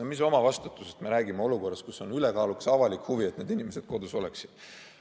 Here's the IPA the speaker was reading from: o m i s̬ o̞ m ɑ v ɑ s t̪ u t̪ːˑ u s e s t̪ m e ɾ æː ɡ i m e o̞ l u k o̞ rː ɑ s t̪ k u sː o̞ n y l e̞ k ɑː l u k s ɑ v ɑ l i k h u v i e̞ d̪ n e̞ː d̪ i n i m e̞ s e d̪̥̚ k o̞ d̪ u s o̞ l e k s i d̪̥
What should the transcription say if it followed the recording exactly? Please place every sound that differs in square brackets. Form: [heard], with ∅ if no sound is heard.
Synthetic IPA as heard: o m i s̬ o̞ m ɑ v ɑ s t̪ u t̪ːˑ u s e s t̪ m e ɾ æː ɡ i m e o̞ l u k o̞ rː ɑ s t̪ k u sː o̞ n y l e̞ k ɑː l u k s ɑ v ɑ l i k h u v i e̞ [t̪] n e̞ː d̪ i n i m e̞ s e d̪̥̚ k o̞ d̪ u s o̞ l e k s i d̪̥